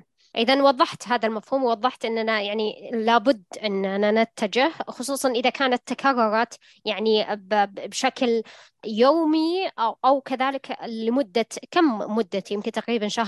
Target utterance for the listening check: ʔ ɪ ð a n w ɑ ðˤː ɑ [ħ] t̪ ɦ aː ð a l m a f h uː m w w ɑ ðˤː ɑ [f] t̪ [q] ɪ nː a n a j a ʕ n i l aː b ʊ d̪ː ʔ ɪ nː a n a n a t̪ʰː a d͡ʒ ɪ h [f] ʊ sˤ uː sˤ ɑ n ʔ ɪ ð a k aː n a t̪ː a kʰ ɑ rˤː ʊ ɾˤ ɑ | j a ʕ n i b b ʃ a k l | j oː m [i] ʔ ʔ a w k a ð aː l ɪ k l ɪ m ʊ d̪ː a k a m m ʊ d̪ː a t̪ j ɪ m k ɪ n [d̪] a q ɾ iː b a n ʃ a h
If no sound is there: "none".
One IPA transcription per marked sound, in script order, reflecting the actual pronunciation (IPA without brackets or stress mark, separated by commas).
ħ, ħ, ʔ, x, i, t̪